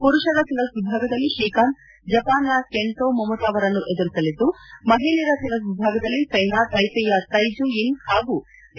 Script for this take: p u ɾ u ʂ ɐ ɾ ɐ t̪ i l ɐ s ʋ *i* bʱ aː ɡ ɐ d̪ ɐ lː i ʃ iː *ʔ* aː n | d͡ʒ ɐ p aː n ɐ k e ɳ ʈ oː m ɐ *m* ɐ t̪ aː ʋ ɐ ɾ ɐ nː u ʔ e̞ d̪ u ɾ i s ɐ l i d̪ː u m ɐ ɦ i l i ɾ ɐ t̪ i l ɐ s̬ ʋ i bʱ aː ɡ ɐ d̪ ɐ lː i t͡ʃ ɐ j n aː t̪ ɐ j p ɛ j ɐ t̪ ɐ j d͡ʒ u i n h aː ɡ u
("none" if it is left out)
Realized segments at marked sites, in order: i, k, m

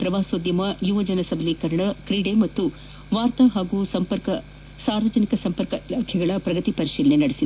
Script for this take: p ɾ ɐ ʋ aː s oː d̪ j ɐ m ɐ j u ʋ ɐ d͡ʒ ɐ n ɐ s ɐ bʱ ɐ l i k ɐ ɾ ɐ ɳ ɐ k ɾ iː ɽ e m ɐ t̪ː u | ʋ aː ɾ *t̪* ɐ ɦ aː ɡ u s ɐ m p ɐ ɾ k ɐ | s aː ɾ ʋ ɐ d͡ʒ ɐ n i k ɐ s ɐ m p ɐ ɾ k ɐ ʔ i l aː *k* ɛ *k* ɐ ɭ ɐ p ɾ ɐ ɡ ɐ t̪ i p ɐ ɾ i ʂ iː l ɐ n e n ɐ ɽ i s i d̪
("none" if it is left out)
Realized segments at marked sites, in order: t̪, kʰ, ɡ

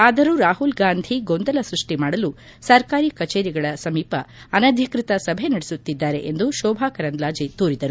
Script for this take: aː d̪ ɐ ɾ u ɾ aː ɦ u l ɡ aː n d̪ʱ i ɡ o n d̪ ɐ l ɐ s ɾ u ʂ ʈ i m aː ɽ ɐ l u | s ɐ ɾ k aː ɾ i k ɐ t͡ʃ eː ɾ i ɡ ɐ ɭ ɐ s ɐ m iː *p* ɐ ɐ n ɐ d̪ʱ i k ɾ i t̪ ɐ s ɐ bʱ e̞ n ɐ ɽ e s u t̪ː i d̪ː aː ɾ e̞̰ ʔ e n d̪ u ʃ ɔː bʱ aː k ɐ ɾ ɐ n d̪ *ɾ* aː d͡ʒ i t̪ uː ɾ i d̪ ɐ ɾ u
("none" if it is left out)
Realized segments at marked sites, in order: p, l

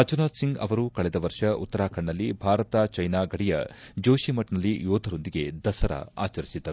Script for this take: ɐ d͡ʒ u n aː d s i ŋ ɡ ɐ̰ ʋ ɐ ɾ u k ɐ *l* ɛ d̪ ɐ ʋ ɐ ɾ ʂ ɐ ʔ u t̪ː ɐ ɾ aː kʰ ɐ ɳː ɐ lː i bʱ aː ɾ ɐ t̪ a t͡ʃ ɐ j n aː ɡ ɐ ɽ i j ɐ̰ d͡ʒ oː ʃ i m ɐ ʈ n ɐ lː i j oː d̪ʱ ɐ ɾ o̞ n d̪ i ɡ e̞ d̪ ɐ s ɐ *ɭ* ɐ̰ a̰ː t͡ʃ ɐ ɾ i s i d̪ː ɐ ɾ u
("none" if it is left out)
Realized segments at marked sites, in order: ɭ, ɾ

